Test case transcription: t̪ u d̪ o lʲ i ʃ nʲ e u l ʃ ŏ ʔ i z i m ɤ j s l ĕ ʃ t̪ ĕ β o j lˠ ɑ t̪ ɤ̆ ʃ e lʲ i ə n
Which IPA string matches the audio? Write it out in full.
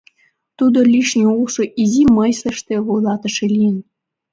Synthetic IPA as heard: t̪ u d̪ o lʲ i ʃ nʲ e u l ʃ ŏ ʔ i z i m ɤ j s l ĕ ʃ t̪ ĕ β o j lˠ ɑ t̪ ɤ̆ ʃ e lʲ i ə n

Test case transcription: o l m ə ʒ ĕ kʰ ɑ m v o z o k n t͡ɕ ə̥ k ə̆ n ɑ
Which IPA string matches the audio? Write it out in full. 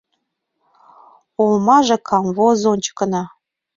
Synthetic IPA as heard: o l m ɑ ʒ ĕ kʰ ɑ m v o z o n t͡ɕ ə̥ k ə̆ n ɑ

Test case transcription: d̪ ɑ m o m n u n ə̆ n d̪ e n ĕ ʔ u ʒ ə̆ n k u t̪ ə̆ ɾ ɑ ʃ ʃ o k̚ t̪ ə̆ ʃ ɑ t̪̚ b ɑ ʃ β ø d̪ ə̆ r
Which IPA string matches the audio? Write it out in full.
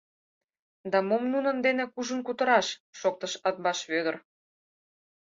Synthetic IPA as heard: d̪ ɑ m o m n u n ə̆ n d̪ e n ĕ k u ʒ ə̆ n k u t̪ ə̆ ɾ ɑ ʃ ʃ o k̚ t̪ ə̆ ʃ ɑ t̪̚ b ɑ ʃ β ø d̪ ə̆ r

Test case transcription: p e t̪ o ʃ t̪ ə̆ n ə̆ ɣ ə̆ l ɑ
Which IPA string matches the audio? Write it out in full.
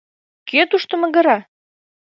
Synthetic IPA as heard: k e t̪ u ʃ t̪ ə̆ m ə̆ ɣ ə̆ ɾ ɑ

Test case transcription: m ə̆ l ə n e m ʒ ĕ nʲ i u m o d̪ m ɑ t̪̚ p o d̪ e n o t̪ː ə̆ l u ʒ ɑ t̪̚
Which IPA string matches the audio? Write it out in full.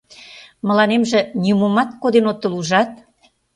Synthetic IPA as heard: m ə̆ l ɑ n e m ʒ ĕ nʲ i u m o m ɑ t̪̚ k o d̪ e n o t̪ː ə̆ l u ʒ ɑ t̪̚

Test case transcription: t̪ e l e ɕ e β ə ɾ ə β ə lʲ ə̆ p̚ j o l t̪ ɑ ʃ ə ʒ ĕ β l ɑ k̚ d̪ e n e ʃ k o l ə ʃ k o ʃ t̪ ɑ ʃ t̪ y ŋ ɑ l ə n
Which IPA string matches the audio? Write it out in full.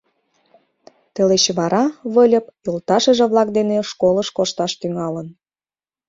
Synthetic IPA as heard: t̪ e l e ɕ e β ɑ ɾ ɑ β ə lʲ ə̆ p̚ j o l t̪ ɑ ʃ ə ʒ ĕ β l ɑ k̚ d̪ e n e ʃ k o l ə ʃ k o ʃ t̪ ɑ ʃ t̪ y ŋ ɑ l ə n

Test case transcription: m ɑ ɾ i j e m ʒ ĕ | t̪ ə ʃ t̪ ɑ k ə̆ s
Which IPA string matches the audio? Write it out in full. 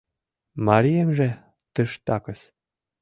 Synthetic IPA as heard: m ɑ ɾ i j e m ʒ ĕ | t̪ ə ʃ t̪ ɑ k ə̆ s

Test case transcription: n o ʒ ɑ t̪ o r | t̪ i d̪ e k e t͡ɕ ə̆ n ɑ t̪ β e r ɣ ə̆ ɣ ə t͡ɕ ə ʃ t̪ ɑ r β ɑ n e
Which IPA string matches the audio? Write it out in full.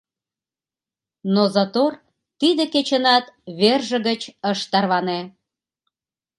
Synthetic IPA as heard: n o z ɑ t̪ o r | t̪ i d̪ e k e t͡ɕ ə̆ n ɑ t̪ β e r ʒ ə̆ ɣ ə t͡ɕ ə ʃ t̪ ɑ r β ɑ n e

